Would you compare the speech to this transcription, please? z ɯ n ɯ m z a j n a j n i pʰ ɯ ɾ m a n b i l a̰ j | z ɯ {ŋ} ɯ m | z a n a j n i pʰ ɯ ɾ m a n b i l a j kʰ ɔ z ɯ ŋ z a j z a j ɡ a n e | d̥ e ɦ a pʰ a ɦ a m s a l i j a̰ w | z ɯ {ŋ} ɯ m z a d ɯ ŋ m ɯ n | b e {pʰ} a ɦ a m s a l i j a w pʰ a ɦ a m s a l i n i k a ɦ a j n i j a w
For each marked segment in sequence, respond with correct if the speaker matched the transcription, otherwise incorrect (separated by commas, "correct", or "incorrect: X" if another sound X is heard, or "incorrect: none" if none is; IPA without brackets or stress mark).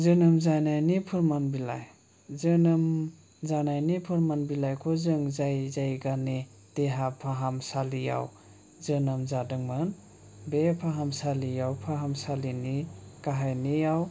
incorrect: n, incorrect: n, correct